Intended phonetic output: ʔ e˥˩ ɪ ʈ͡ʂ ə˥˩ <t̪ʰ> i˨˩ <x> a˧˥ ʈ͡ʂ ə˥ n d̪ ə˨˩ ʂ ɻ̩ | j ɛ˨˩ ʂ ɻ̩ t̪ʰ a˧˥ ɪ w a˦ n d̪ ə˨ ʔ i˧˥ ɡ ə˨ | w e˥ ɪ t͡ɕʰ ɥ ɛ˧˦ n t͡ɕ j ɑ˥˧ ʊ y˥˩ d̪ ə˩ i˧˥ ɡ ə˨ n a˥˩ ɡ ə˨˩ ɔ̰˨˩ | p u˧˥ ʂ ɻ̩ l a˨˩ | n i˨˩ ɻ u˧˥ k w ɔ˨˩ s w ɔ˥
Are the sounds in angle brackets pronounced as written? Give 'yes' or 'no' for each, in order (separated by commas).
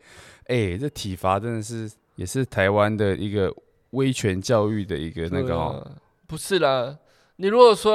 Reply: yes, no